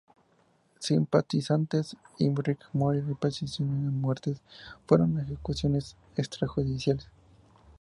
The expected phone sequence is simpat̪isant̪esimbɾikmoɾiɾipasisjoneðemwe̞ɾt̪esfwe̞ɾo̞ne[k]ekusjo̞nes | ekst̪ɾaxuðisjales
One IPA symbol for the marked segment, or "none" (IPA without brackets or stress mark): x